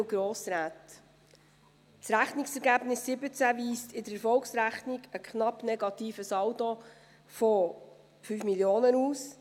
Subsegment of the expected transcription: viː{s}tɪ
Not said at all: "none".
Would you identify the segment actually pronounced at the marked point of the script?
s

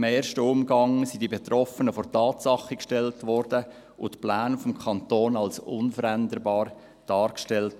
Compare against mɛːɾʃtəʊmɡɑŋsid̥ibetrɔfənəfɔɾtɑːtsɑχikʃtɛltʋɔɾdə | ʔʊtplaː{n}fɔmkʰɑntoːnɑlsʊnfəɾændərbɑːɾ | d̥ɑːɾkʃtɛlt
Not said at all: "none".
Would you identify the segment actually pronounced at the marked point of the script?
n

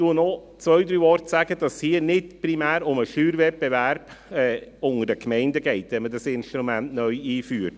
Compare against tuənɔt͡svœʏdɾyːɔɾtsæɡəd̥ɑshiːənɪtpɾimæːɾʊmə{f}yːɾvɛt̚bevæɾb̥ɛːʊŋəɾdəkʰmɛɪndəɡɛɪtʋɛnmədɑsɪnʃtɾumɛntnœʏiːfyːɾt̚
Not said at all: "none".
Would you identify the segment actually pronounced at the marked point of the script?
ʃ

